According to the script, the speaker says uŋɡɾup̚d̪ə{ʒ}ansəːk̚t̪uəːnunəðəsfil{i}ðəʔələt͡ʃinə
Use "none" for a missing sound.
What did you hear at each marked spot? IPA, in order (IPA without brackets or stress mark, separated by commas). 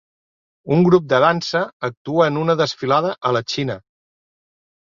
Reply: ð, a